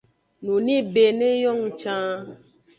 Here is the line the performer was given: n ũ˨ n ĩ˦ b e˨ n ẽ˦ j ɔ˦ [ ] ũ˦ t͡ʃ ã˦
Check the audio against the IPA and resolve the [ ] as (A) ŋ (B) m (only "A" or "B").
A